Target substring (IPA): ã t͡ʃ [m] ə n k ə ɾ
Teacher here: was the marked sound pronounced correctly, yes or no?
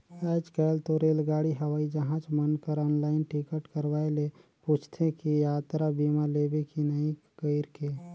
yes